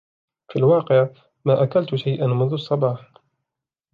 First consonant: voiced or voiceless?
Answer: voiceless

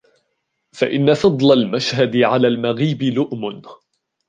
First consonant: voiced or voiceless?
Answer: voiceless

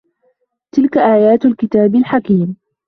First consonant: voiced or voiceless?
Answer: voiceless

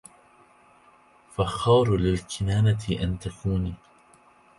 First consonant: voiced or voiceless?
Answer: voiceless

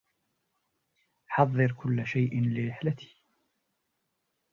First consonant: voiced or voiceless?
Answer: voiceless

